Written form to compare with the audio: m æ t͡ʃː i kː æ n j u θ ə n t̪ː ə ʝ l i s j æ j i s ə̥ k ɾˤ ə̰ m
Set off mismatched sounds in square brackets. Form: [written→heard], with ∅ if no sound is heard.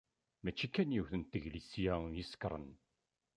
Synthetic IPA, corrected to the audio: m æ t͡ʃː i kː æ n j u θ ə n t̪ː ə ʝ l i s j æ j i s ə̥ k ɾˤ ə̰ [m→n]